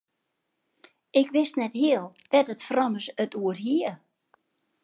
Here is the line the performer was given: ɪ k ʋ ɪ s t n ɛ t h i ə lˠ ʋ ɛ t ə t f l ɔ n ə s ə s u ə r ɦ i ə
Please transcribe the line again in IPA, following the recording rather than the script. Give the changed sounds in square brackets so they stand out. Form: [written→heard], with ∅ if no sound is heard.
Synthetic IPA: ɪ k ʋ ɪ s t n ɛ t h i ə lˠ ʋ ɛ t ə t f [l→r] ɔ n ə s ə [s→t] u ə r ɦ i ə